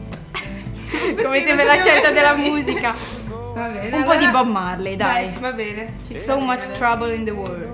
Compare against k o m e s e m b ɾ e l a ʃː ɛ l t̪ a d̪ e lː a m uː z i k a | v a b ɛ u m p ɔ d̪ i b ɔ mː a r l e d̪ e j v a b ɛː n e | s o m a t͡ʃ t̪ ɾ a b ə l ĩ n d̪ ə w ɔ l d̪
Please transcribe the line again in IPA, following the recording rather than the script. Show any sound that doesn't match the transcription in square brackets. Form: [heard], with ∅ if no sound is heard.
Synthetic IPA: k o m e s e m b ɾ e l a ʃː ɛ l t̪ a d̪ e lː a m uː z i k a | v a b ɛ u m p ɔ d̪ i b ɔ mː a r l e d̪ [a] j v a b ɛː n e | s o m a t͡ʃ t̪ ɾ a b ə l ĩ n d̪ ə w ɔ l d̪